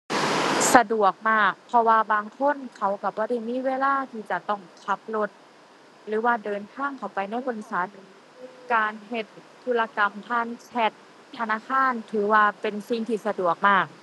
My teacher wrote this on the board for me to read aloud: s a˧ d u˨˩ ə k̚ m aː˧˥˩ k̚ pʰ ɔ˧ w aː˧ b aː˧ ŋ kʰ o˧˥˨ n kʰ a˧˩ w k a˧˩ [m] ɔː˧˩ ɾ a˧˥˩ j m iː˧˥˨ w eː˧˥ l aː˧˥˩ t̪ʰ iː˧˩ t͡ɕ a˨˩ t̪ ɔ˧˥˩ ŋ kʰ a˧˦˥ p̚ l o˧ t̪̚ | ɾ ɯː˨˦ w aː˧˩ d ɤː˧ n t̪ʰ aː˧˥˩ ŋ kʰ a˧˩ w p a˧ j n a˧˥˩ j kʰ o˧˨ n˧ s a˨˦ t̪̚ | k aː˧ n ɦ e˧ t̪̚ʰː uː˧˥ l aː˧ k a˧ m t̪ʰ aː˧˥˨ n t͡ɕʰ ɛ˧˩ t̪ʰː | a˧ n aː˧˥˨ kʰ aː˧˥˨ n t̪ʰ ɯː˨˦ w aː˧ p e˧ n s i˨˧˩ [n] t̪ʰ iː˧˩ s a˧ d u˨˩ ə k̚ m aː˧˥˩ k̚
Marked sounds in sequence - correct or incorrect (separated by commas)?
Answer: incorrect, incorrect